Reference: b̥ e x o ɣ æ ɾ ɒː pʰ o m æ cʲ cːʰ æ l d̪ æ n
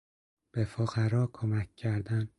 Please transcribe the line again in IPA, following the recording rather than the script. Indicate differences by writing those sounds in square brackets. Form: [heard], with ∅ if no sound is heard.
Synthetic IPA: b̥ e [f] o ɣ æ ɾ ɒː [kʰ] o m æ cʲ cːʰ æ [ɾ] d̪ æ n